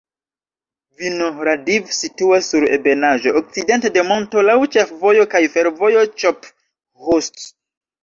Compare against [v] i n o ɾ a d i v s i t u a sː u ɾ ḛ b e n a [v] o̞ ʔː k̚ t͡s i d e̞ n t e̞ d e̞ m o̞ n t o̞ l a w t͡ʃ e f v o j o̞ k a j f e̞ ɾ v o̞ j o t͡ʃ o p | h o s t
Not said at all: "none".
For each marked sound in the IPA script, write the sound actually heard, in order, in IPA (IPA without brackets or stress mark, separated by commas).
v, ʒ